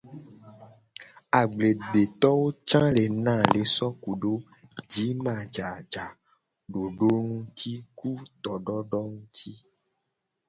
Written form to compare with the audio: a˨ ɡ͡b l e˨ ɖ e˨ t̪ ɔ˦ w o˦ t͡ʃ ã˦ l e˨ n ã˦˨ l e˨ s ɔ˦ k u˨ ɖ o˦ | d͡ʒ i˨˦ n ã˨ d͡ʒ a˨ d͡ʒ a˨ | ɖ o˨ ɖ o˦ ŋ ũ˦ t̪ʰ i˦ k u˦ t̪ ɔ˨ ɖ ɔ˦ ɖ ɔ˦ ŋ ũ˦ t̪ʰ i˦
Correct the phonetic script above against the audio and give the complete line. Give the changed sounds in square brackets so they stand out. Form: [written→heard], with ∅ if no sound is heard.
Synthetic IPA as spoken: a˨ ɡ͡b l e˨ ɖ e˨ t̪ ɔ˦ w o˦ t͡ʃ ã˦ l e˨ n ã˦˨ l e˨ s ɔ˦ k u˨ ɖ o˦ | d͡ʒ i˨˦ [n→m] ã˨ d͡ʒ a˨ d͡ʒ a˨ | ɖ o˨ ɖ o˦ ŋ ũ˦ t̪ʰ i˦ k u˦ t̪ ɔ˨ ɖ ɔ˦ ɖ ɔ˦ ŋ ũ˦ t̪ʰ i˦

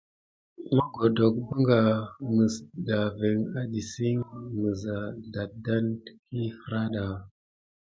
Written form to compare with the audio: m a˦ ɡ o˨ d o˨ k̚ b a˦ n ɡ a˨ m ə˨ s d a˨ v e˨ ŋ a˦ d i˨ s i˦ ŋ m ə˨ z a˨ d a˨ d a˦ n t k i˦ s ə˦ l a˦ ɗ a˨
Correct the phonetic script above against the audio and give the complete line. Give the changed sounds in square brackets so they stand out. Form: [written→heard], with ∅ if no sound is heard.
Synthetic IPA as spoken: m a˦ ɡ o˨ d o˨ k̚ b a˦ [n→ŋ] ɡ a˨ m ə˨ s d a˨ v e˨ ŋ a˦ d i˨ s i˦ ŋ m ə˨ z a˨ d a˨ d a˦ n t k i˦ [s→f] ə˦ [l→ɾ] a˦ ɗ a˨

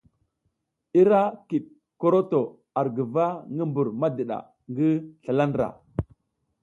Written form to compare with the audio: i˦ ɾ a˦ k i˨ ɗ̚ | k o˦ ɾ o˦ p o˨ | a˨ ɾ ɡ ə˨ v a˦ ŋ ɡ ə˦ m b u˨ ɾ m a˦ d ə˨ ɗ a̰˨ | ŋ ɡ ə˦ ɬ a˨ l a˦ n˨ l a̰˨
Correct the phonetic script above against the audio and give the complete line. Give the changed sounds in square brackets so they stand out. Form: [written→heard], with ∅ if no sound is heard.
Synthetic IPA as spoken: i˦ ɾ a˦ k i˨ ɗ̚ | k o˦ ɾ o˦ [p→t] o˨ | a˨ ɾ ɡ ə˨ v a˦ ŋ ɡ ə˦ m b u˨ ɾ m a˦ d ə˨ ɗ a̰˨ | ŋ ɡ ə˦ ɬ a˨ l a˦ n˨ [l→ɾ] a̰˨

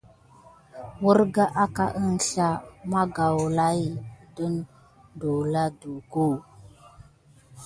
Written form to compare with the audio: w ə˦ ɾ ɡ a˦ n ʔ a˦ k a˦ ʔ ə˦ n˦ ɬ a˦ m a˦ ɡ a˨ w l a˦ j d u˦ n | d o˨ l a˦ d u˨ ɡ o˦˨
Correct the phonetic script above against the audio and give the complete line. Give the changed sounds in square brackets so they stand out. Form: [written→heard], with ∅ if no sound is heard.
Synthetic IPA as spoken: w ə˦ ɾ ɡ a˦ [n→∅] ʔ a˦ k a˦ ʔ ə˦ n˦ ɬ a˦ m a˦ ɡ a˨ w l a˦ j d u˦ n | d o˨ l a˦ d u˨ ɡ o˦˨

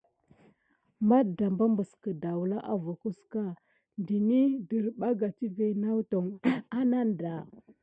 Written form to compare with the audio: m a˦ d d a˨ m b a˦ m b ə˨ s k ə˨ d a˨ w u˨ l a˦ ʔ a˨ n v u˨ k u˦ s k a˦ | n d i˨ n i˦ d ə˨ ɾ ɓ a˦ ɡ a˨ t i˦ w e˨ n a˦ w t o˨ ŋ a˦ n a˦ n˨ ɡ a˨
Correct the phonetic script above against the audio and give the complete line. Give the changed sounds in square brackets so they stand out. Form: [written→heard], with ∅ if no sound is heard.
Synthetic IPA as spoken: m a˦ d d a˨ m b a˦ m b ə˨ s k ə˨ d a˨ w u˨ l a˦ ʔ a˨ [n→∅] v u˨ k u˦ s k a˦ | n d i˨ n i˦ d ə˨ ɾ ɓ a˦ ɡ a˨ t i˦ [w→v] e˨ n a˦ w t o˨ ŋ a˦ n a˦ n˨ [ɡ→d] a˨

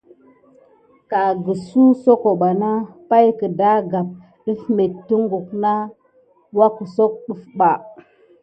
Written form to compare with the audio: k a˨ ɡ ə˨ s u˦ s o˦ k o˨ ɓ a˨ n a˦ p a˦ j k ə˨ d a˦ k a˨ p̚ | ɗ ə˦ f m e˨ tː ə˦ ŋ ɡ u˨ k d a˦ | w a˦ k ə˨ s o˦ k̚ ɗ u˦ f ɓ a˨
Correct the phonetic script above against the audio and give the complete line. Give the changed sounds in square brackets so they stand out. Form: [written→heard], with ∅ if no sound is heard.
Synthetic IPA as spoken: k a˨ ɡ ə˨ s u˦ s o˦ k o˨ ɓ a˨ n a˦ p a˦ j k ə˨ d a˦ [k→ɡ] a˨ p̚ | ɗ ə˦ f m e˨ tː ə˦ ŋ ɡ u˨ k [d→n] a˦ | w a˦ k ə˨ s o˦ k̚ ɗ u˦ f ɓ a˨

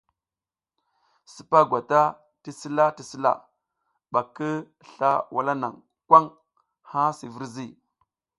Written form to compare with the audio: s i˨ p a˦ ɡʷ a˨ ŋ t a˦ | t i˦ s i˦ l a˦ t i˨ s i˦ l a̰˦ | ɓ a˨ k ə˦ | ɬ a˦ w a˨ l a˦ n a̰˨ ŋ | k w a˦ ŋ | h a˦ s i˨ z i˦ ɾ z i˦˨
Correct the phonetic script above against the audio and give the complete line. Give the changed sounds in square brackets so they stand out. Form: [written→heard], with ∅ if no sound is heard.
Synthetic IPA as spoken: s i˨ p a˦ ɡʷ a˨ [ŋ→∅] t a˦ | t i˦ s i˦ l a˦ t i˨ s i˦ l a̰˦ | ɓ a˨ k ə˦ | ɬ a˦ w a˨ l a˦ n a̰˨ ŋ | k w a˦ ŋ | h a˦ s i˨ [z→v] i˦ ɾ z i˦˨

